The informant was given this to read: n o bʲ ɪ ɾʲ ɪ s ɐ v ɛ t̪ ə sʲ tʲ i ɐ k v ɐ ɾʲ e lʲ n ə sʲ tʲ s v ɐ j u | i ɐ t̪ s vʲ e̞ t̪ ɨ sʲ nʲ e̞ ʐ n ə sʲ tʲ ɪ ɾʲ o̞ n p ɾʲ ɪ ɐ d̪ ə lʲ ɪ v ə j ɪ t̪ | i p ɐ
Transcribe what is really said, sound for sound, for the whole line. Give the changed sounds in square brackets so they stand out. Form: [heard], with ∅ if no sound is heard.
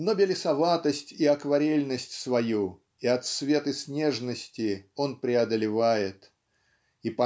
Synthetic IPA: n o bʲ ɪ [lʲ] ɪ s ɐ v [a] t̪ ə sʲ tʲ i ɐ k v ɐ ɾʲ e lʲ n ə sʲ tʲ s v ɐ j u | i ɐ t̪ s vʲ e̞ t̪ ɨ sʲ nʲ e̞ ʐ n ə sʲ tʲ ɪ [∅] o̞ n p ɾʲ ɪ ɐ d̪ ə lʲ ɪ v [a] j ɪ t̪ | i p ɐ